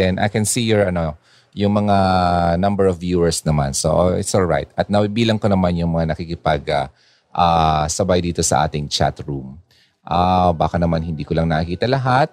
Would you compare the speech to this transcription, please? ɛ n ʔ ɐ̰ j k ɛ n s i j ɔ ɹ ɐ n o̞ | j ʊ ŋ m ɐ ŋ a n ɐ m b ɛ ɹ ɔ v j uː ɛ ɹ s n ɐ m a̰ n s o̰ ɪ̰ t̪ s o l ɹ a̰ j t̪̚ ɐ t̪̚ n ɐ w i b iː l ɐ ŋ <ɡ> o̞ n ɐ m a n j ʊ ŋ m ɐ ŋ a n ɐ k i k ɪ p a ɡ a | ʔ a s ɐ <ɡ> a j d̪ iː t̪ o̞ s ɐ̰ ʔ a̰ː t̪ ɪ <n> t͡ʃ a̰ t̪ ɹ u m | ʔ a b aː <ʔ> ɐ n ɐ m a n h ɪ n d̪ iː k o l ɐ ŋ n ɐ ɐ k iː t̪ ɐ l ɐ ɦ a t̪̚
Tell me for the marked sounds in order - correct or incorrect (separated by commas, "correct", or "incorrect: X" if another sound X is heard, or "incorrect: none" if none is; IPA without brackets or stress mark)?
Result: incorrect: k, incorrect: b, incorrect: ŋ, incorrect: k